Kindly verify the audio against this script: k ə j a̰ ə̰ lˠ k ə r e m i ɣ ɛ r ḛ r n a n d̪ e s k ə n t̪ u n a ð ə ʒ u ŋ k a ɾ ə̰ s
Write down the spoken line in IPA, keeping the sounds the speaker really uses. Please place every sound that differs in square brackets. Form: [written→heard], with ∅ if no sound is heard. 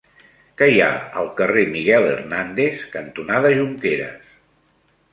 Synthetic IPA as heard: k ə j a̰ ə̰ lˠ k ə r e m i ɣ ɛ [r→l] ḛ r n a n d̪ e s k ə n t̪ u n a ð ə ʒ u ŋ k [a→e] ɾ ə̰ s